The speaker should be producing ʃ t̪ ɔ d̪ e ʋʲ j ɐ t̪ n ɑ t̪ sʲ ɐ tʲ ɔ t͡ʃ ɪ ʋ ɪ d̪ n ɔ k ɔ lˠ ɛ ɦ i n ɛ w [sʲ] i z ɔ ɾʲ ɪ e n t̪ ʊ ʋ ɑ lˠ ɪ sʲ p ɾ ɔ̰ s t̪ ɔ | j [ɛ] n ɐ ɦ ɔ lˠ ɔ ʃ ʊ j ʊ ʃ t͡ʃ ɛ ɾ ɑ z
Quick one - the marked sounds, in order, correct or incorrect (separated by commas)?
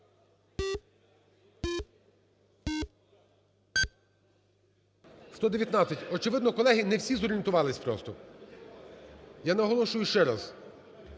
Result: correct, incorrect